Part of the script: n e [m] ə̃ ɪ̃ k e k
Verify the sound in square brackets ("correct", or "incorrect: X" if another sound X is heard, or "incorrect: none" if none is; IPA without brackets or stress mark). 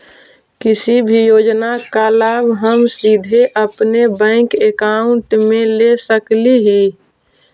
incorrect: b